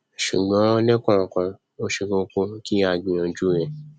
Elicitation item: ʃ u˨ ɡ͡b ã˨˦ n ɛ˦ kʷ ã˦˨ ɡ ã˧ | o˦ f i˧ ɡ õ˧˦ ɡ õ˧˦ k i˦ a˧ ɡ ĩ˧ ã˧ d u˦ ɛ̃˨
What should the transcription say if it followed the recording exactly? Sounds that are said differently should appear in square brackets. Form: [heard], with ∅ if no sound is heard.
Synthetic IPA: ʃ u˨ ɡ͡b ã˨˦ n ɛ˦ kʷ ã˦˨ [k] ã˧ | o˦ [ʃ] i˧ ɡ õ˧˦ [k] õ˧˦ k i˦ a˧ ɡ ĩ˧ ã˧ [d͡ʒ] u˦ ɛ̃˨

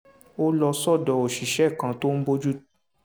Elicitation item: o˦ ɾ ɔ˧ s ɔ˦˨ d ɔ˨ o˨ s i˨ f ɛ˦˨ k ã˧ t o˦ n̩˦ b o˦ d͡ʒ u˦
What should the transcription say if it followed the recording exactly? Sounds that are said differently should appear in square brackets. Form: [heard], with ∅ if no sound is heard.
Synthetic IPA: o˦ [l] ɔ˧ s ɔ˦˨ d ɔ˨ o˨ [ʃ] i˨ [ʃ] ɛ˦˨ k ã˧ t o˦ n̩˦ b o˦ d͡ʒ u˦

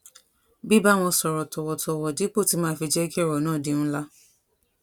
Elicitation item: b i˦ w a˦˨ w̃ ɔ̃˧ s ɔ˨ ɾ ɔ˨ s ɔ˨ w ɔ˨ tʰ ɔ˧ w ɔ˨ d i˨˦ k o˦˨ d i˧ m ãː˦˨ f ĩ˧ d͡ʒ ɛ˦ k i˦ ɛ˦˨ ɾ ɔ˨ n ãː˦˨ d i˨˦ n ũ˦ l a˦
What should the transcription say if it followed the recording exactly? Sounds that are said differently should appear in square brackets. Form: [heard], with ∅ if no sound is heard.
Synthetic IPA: b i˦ [b] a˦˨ w̃ ɔ̃˧ s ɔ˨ ɾ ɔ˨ [t] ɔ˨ w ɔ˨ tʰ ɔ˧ w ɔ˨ d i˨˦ [k͡p] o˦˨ [t] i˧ m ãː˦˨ f [i˧] d͡ʒ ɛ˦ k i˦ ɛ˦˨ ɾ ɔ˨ n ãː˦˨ d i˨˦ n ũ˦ l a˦

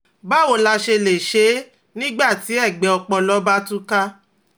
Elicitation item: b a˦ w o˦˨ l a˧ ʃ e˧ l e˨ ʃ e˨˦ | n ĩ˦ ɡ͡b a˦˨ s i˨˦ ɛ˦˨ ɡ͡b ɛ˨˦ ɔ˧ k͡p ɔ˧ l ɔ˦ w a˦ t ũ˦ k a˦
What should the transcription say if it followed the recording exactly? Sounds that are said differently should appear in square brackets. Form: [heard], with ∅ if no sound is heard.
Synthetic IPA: b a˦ w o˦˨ l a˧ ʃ e˧ l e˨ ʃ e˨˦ | n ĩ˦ ɡ͡b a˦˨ [t] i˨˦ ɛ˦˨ ɡ͡b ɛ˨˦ ɔ˧ k͡p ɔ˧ l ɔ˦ [b] a˦ t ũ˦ k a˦

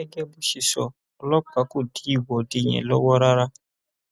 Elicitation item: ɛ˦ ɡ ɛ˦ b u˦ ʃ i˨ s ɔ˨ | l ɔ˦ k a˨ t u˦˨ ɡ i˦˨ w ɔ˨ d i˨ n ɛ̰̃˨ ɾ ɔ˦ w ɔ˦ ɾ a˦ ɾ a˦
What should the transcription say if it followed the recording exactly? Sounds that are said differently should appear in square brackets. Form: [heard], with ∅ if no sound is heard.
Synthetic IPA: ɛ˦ ɡ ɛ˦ b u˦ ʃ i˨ s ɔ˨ | l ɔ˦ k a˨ [k] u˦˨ [d] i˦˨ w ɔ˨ d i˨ [ɲ] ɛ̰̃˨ [l] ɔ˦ w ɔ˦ ɾ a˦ ɾ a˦

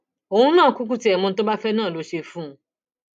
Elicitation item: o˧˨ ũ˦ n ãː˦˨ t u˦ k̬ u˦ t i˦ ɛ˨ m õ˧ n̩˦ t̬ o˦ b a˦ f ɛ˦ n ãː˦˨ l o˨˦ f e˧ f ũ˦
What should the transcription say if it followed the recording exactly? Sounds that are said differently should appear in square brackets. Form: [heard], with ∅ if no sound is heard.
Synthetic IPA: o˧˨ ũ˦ n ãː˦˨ [k] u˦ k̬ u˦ t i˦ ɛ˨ m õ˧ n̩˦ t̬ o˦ b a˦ f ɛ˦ n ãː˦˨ l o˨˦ [ʃ] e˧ f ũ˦

